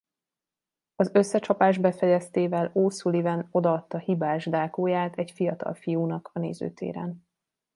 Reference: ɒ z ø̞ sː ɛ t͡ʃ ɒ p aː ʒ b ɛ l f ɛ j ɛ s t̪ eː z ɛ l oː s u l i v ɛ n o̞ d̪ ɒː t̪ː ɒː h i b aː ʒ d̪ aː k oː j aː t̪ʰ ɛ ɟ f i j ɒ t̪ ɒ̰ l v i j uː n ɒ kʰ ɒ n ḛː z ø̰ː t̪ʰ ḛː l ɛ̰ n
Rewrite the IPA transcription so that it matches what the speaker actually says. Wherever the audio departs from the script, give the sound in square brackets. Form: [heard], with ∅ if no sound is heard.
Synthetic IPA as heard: ɒ z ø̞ sː ɛ t͡ʃ ɒ p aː ʒ b ɛ [∅] f ɛ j ɛ s t̪ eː [v] ɛ l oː s u l i v ɛ n o̞ d̪ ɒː t̪ː [ɒ] h i b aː ʒ d̪ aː k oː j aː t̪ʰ ɛ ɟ f i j ɒ t̪ ɒ̰ l [f] i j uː n ɒ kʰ ɒ n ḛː z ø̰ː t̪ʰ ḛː [ɾ] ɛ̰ n

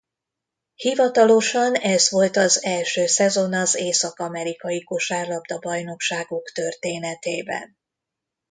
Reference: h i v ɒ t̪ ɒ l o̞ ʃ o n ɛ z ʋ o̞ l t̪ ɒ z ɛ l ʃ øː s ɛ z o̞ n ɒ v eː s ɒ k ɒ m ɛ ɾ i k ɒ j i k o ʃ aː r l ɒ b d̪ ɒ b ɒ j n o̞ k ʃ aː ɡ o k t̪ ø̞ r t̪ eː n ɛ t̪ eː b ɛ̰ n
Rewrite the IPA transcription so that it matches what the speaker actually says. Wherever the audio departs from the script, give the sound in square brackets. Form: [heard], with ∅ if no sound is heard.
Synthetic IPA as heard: h i v ɒ t̪ ɒ l o̞ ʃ [ɒ] n ɛ z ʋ o̞ l t̪ ɒ z ɛ l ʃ øː s ɛ z o̞ n ɒ [z] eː s ɒ k ɒ m ɛ ɾ i k ɒ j i k o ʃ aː r l ɒ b d̪ ɒ b ɒ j n o̞ k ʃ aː ɡ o k t̪ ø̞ r t̪ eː n ɛ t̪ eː b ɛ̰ n

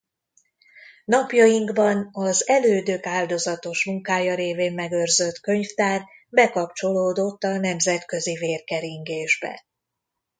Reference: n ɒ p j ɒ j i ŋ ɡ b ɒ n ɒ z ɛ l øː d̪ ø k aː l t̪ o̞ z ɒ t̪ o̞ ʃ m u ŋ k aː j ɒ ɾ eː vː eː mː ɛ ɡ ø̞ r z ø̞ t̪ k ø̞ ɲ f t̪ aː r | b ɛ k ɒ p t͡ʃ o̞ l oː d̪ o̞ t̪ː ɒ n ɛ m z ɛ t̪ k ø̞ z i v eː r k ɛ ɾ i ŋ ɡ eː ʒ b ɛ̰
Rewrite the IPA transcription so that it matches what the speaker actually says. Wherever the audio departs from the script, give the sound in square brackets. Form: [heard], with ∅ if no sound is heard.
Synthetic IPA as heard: n ɒ p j ɒ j i ŋ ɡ b ɒ n ɒ z ɛ l øː d̪ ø k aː l [d̪] o̞ z ɒ t̪ o̞ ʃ m u ŋ k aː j ɒ ɾ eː [v] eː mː ɛ ɡ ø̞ r z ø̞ t̪ k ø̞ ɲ f t̪ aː r | b ɛ k ɒ p t͡ʃ o̞ l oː d̪ o̞ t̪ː ɒ n ɛ m z ɛ t̪ k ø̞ z i v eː r k ɛ ɾ i ŋ ɡ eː ʒ b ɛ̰

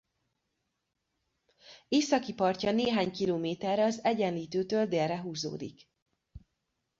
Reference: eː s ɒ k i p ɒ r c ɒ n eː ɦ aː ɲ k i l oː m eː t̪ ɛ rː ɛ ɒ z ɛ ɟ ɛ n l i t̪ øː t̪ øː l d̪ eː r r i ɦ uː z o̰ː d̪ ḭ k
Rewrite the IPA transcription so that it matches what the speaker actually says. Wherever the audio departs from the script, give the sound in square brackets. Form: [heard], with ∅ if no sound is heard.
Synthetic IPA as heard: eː s ɒ k i p ɒ r c ɒ n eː ɦ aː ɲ k i l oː m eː t̪ ɛ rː ɛ ɒ z ɛ ɟ ɛ n l [iː] t̪ øː t̪ øː l d̪ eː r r [ɛ] ɦ uː z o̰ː d̪ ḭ k

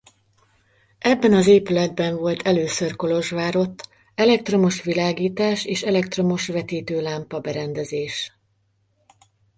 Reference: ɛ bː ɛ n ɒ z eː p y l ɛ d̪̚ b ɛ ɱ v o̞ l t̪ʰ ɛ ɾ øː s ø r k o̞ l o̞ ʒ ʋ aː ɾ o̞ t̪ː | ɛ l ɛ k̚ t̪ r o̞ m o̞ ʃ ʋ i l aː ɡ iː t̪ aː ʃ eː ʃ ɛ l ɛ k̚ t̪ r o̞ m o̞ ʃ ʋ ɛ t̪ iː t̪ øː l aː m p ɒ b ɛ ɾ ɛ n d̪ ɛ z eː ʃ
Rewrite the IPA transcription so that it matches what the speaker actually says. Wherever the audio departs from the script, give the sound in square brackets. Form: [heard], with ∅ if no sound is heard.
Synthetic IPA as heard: ɛ bː ɛ n ɒ z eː p y l ɛ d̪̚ b ɛ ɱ v o̞ l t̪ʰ ɛ [l] øː s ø r k o̞ l o̞ ʒ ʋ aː ɾ o̞ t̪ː | ɛ l ɛ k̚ t̪ r o̞ m o̞ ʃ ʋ i l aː ɡ iː t̪ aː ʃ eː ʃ ɛ l ɛ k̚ t̪ r o̞ m o̞ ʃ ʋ ɛ t̪ iː t̪ øː l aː m p ɒ b ɛ ɾ ɛ n d̪ ɛ z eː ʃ

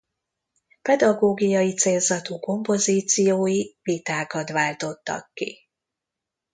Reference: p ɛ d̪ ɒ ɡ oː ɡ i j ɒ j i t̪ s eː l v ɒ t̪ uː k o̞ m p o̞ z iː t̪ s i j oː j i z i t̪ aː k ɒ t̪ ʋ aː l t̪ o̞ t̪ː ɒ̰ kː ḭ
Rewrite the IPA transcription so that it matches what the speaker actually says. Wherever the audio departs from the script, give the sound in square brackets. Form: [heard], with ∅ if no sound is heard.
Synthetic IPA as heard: p ɛ d̪ ɒ ɡ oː ɡ i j ɒ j i t̪ s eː l [z] ɒ t̪ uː k o̞ m p o̞ z iː t̪ s i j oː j i [v] i t̪ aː k ɒ t̪ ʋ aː l t̪ o̞ t̪ː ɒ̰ kː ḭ

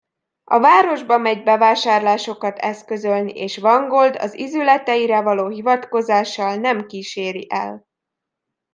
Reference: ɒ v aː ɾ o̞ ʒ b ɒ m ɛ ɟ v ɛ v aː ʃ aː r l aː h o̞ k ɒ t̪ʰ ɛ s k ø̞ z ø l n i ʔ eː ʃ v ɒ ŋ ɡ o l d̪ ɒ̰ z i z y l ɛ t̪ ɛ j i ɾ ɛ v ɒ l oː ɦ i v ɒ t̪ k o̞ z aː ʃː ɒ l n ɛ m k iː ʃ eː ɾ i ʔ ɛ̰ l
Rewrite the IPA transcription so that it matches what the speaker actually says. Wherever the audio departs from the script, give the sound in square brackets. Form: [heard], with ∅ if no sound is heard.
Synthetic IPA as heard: ɒ v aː ɾ o̞ ʒ b ɒ m ɛ ɟ [b] ɛ v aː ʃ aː r l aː [ʃ] o̞ k ɒ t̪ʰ ɛ s k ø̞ z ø l n i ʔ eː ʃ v ɒ ŋ ɡ o l d̪ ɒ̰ z i z y l ɛ t̪ ɛ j i ɾ ɛ v ɒ l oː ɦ i v ɒ t̪ k o̞ z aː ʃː ɒ l n ɛ m k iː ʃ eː ɾ i ʔ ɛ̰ l

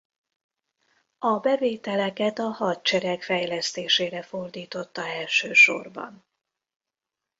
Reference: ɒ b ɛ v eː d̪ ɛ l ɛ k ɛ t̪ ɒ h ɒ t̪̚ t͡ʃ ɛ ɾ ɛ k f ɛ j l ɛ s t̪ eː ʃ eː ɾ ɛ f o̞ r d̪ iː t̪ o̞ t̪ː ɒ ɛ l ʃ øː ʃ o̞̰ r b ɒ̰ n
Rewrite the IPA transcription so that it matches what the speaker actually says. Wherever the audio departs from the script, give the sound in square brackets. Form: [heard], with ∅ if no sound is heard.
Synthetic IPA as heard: ɒ b ɛ v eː [t̪] ɛ l ɛ k ɛ t̪ ɒ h ɒ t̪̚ t͡ʃ ɛ ɾ ɛ k f ɛ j l ɛ s t̪ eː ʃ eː ɾ ɛ f o̞ r d̪ iː t̪ o̞ t̪ː ɒ ɛ l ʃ øː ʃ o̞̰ r b ɒ̰ n

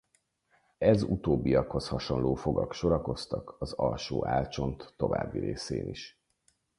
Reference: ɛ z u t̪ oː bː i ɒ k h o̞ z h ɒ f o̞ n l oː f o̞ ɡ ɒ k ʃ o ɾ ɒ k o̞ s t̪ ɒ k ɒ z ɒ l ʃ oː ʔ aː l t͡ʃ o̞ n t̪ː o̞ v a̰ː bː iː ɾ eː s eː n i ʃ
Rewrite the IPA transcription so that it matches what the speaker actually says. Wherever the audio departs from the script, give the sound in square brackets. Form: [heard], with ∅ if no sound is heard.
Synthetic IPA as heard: ɛ z u t̪ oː bː i ɒ k h o̞ [s] h ɒ [ʃ] o̞ n l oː f o̞ ɡ ɒ k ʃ o ɾ ɒ k o̞ s t̪ ɒ k ɒ z ɒ l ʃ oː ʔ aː l t͡ʃ o̞ n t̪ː o̞ v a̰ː bː [i] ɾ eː s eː n i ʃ

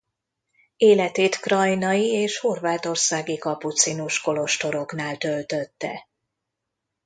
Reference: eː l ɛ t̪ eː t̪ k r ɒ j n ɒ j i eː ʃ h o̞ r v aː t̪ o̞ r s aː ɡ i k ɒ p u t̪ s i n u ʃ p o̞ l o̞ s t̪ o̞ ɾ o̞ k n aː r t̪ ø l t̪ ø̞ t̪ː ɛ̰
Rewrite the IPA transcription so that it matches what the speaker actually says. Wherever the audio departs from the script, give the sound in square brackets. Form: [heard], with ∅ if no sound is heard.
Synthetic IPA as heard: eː l ɛ t̪ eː t̪ k r ɒ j n ɒ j i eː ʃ h o̞ r v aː t̪ o̞ r s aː ɡ i k ɒ p u t̪ s i n u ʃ [k] o̞ l o̞ [ʃ] t̪ o̞ ɾ o̞ k n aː [l] t̪ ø l t̪ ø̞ t̪ː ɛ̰

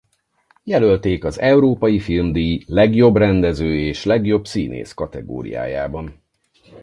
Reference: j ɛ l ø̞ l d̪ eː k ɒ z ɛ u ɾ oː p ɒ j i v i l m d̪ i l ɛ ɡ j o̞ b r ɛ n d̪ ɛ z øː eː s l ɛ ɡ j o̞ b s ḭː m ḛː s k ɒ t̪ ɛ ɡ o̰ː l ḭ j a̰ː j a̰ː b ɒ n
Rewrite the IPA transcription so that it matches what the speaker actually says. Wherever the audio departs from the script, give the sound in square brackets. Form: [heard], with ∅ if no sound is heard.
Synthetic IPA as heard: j ɛ l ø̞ l [t̪] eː k ɒ z ɛ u ɾ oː p ɒ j i [f] i l m d̪ i l ɛ ɡ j o̞ b r ɛ n d̪ ɛ z øː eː [ʃ] l ɛ ɡ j o̞ b s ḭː [n] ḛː s k ɒ t̪ ɛ ɡ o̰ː [ɾ] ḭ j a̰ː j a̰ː b ɒ n

